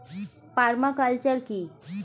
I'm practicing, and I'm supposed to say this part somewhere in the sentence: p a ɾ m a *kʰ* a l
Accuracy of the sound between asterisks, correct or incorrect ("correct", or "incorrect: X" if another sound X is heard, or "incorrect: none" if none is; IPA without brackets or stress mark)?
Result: incorrect: k